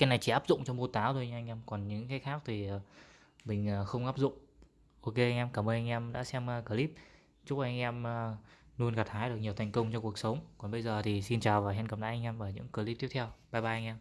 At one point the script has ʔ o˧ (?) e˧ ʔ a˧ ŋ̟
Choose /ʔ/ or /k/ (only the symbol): k